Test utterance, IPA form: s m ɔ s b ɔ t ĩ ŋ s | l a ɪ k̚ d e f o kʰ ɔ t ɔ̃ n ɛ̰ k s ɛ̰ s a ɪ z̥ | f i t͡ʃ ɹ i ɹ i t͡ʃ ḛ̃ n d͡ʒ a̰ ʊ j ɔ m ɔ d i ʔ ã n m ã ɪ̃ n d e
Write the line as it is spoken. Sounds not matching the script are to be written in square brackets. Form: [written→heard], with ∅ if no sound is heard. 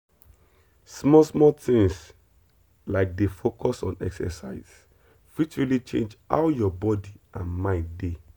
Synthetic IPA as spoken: s m ɔ s [b→m] ɔ t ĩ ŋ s | l a ɪ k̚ d e f o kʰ ɔ [t→s] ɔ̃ n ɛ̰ k s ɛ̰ s a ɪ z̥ | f i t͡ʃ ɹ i [ɹ→l] i t͡ʃ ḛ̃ n d͡ʒ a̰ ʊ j ɔ [m→b] ɔ d i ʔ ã n m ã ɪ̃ n d e